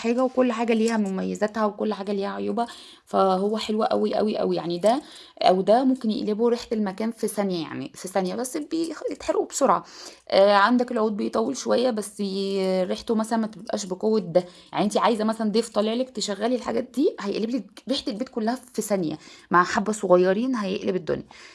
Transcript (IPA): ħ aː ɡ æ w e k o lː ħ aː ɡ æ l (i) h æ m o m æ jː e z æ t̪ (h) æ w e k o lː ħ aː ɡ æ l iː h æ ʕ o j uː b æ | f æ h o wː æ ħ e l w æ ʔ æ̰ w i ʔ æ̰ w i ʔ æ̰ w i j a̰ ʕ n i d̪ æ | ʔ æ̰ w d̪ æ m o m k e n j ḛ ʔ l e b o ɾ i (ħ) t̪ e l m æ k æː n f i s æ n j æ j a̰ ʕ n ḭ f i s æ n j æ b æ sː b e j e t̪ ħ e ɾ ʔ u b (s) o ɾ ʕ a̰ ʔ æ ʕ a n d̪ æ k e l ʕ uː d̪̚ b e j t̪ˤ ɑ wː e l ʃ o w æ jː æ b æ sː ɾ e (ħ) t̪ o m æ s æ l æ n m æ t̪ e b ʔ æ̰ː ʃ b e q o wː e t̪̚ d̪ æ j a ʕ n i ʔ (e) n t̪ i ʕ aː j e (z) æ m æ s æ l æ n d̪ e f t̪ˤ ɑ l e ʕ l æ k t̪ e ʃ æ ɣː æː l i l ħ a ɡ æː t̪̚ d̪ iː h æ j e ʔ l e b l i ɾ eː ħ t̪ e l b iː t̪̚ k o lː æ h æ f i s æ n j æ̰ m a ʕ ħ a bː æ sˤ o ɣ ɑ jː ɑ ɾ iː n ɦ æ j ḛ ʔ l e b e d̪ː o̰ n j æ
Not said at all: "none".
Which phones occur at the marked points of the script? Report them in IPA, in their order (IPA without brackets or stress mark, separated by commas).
iː, h, ħ, s, ħ, e, z